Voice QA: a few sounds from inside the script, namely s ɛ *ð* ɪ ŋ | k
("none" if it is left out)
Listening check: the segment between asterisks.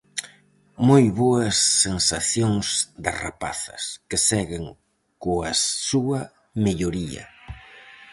ɣ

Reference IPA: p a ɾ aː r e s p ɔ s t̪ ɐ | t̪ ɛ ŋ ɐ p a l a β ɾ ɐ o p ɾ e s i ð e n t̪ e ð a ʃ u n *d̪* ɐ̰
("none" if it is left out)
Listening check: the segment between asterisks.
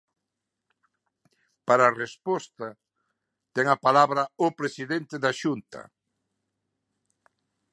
t̪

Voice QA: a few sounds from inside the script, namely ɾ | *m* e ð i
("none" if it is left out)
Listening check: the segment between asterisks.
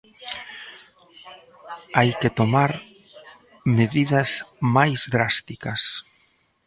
m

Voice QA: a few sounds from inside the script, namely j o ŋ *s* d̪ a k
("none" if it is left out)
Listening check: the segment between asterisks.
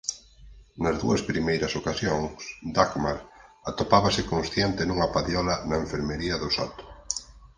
s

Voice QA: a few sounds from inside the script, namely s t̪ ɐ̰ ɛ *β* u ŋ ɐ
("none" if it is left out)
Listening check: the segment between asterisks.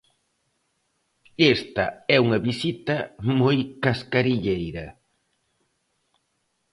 none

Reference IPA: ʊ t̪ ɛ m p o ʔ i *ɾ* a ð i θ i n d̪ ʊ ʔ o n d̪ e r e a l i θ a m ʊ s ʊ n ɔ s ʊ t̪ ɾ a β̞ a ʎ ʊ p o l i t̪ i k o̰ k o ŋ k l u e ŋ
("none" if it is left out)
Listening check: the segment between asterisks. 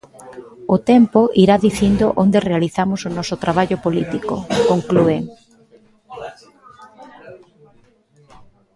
ɾ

